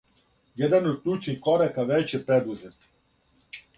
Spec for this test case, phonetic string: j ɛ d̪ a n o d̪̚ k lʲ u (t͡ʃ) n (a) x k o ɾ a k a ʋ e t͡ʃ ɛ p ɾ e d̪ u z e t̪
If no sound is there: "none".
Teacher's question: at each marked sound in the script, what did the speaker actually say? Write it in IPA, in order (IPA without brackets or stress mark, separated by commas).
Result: t͡ʃ, i